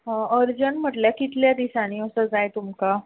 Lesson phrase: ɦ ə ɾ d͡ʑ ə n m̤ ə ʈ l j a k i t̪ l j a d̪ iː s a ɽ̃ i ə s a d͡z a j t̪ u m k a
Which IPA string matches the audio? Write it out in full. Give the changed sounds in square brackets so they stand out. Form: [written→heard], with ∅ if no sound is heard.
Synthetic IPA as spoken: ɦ ə ɾ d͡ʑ ə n m̤ ə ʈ l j a k i t̪ l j a d̪ [iː→i] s a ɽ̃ i ə s [a→ə] d͡z a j t̪ u m k a